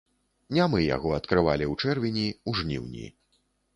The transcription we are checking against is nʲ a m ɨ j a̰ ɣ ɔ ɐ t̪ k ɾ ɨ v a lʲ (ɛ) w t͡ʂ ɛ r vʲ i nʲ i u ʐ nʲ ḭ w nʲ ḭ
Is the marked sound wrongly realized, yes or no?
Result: yes